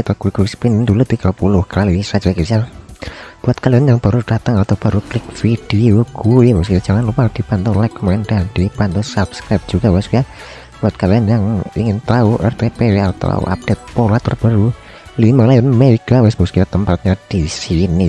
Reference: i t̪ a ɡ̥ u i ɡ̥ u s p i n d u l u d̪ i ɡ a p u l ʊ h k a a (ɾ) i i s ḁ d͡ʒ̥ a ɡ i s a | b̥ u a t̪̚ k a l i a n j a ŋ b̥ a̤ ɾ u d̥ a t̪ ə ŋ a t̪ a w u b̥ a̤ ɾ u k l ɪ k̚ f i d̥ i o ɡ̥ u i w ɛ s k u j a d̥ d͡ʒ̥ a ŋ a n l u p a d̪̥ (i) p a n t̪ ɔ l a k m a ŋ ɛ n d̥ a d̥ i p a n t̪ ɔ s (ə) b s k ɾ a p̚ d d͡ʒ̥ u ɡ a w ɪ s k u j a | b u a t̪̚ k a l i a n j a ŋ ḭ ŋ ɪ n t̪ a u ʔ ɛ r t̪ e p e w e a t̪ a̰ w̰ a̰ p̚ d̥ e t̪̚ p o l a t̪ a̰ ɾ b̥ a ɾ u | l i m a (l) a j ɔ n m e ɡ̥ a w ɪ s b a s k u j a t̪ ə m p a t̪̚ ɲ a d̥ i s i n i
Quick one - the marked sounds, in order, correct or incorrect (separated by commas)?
incorrect, correct, incorrect, correct